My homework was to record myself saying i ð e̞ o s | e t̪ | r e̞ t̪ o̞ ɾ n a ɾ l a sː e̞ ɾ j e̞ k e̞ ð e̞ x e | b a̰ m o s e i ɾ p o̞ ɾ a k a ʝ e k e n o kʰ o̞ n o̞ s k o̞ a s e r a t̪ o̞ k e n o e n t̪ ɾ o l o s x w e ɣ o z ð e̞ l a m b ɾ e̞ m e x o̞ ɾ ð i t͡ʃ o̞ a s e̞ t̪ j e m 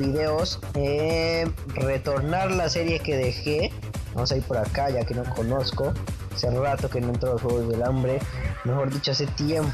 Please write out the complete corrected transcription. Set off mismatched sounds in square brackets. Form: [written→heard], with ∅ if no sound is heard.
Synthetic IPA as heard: i ð e̞ o s | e [t̪→∅] | r e̞ t̪ o̞ ɾ n a ɾ l a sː e̞ ɾ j e̞ k e̞ ð e̞ x e | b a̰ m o s [e→a] i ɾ p o̞ ɾ a k a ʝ [e→a] k e n o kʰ o̞ n o̞ s k o̞ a s e r a t̪ o̞ k e n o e n t̪ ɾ o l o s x w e ɣ o z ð e̞ l a m b ɾ e̞ m e x o̞ ɾ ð i t͡ʃ o̞ a s e̞ t̪ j e m